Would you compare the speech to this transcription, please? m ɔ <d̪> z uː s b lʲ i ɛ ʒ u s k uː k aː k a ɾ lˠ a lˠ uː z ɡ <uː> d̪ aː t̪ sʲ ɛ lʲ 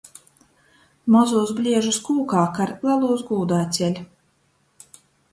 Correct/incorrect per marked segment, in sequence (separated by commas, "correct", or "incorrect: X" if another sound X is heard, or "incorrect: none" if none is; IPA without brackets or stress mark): incorrect: none, correct